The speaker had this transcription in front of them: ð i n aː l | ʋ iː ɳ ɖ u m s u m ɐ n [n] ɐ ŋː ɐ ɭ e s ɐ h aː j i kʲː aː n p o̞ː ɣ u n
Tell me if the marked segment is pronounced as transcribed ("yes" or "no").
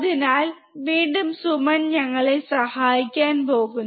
no